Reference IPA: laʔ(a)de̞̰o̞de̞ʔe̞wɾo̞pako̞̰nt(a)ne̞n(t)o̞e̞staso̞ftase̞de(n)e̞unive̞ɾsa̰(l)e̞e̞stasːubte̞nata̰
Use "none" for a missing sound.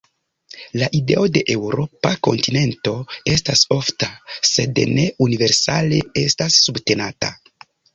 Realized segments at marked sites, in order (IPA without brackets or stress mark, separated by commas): i, i, t, n, l